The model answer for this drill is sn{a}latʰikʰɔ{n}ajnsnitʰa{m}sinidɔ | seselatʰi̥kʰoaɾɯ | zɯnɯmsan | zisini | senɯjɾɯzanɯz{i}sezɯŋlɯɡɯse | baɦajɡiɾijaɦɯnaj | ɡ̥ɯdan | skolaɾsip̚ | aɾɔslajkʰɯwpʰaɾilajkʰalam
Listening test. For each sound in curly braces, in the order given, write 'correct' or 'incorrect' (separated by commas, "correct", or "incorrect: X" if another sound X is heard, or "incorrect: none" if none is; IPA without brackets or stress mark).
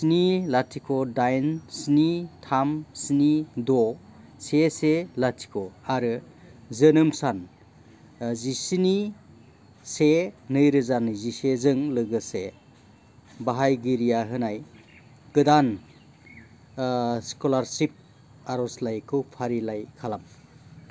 incorrect: i, incorrect: d, correct, correct